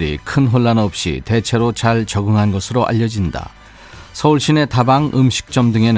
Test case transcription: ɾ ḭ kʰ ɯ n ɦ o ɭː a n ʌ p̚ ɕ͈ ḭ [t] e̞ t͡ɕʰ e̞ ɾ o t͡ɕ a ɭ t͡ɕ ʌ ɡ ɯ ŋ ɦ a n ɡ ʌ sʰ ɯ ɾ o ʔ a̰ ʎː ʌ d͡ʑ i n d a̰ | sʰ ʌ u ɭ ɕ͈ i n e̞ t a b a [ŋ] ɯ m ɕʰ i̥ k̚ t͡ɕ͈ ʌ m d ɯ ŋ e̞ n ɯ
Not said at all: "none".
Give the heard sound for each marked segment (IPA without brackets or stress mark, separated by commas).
t, ŋ